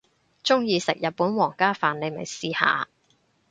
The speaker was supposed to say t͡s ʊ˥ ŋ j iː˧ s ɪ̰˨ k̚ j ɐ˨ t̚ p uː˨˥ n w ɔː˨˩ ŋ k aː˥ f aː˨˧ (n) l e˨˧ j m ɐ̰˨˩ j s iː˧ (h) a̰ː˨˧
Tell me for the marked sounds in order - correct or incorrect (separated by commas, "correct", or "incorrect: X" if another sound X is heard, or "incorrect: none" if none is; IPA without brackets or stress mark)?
correct, correct